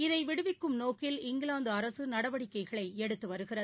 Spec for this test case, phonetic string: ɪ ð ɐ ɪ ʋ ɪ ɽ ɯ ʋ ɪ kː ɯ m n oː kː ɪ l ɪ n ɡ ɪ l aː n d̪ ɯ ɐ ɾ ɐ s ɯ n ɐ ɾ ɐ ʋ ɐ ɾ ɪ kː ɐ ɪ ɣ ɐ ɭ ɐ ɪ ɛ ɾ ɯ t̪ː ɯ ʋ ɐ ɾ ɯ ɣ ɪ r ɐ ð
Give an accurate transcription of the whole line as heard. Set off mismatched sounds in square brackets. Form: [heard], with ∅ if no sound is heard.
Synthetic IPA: ɪ ð ɐ ɪ ʋ ɪ ɽ ɯ ʋ ɪ kː ɯ m n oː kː ɪ l ɪ [ŋ] ɡ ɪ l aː n d̪ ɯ ɐ ɾ ɐ s ɯ n ɐ [ɽ] ɐ ʋ ɐ [ɽ] ɪ kː ɐ ɪ ɣ ɐ ɭ ɐ ɪ ɛ [ɽ] ɯ t̪ː ɯ ʋ ɐ ɾ ɯ ɣ ɪ r ɐ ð